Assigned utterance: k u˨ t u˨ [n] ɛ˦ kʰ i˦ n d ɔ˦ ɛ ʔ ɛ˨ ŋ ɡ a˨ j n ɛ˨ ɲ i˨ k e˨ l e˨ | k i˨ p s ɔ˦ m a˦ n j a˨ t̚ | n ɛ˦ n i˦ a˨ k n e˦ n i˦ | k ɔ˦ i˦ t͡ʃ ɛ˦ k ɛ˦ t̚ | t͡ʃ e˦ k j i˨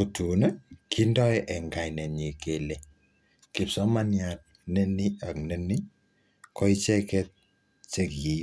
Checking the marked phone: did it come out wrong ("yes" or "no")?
no